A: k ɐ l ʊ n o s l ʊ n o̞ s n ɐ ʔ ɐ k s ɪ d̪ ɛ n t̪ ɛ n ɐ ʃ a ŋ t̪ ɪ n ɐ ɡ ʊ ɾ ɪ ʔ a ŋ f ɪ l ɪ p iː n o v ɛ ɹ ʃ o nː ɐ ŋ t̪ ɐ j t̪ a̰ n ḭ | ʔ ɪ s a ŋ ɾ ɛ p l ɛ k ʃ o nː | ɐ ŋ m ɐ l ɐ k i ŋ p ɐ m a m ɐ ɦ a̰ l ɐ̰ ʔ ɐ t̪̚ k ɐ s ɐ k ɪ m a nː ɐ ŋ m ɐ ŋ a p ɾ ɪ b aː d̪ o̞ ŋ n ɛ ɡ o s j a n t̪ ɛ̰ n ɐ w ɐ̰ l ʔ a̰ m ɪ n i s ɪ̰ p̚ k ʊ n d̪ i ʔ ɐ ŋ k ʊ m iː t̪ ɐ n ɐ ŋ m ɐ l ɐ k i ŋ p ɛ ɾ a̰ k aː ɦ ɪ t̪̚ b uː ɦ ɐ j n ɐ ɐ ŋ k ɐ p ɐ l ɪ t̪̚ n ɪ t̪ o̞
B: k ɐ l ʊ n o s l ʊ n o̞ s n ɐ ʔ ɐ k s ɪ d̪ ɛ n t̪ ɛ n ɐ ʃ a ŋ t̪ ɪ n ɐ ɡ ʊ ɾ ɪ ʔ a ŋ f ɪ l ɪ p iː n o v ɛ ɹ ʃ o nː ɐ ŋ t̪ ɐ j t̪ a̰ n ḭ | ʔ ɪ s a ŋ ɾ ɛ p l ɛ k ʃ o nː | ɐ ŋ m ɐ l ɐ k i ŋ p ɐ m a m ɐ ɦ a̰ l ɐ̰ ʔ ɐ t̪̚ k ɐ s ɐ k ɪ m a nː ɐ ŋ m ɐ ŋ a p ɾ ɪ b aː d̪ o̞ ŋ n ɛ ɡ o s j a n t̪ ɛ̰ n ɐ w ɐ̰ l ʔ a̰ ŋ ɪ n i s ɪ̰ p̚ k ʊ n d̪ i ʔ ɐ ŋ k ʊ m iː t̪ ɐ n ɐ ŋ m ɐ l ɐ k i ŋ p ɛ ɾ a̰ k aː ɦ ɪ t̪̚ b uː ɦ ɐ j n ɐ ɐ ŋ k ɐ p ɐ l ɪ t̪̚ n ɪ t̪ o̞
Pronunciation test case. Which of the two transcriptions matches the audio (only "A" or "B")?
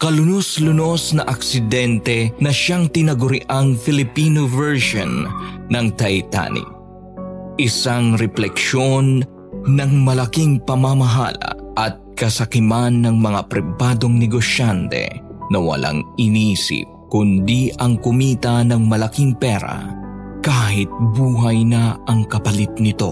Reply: B